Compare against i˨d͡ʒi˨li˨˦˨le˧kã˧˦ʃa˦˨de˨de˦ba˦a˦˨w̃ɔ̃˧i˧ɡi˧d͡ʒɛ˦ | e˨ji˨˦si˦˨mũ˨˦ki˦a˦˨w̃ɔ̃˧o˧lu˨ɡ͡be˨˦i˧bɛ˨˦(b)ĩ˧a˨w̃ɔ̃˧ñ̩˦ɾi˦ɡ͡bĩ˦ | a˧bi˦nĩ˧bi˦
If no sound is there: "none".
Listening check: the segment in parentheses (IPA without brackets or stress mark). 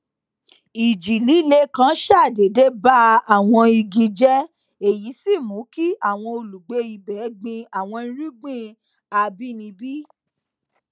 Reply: ɡ͡b